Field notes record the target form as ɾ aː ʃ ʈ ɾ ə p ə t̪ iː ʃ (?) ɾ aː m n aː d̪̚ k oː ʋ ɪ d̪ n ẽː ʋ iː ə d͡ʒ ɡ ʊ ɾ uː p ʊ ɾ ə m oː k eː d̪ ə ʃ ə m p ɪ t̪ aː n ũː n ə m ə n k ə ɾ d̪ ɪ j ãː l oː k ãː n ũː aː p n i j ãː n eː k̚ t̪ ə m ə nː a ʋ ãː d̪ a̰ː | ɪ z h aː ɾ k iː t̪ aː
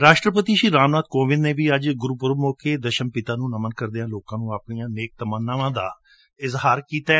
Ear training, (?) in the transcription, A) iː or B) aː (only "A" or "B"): A